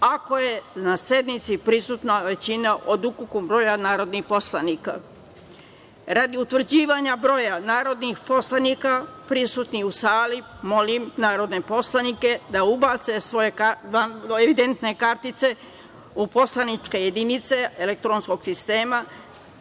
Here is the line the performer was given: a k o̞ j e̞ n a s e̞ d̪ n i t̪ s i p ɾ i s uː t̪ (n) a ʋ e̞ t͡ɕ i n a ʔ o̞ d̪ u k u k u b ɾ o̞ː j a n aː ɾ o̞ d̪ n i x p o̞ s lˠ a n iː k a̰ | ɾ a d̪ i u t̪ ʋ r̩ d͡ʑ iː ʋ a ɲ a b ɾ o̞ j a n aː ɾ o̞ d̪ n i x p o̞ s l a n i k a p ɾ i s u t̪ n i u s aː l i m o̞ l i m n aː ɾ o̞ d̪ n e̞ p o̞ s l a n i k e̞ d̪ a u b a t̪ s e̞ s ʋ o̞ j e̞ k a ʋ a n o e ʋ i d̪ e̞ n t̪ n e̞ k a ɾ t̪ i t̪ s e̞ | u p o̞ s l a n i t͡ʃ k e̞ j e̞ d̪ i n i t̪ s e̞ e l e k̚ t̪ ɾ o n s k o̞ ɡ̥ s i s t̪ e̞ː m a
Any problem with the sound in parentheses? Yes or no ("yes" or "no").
no